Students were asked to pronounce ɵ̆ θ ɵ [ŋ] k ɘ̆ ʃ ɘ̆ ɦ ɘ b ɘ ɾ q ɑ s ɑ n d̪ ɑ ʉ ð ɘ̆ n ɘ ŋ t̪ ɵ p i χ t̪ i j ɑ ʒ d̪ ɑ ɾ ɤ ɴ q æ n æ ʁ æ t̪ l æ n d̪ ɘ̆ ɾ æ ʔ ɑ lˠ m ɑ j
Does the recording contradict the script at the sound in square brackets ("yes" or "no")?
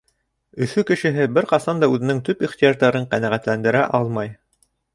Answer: yes